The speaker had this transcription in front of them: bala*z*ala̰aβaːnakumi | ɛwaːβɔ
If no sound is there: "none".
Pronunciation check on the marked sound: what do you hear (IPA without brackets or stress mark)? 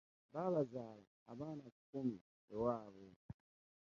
z